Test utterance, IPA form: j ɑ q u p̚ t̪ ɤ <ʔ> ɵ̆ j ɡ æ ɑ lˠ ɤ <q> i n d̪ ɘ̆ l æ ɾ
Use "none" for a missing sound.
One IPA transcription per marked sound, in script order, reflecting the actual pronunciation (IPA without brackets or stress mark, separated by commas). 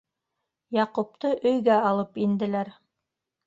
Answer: ʔ, p